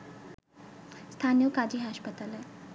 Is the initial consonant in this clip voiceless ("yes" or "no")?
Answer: yes